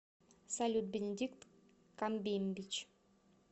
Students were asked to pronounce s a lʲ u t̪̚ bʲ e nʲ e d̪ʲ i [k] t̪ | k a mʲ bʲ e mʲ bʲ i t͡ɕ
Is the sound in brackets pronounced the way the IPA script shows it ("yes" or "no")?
yes